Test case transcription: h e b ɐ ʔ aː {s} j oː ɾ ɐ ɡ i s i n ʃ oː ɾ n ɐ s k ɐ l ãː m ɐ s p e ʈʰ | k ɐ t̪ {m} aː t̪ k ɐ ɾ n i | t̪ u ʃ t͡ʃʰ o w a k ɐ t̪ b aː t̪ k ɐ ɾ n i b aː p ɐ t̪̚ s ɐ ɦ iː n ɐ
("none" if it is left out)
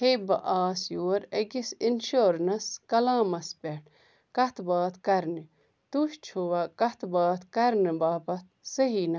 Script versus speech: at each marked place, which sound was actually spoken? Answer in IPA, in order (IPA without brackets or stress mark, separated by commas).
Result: s, b